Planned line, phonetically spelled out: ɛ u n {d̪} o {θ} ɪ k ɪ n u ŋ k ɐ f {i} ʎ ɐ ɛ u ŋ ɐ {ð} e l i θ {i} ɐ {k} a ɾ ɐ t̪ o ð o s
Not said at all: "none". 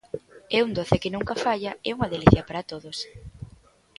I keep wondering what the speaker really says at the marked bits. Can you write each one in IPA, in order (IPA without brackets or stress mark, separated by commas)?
d̪, θ, a, ð, j, p